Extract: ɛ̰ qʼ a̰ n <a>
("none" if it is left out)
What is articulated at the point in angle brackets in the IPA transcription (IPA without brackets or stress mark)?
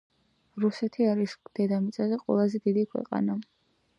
a